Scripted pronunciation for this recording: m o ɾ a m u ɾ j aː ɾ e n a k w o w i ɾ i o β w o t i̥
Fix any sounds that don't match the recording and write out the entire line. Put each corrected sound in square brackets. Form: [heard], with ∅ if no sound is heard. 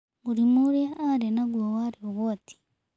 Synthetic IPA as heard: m [u] ɾ [i] m u ɾ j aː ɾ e n a [ɡ] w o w [a] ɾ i o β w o t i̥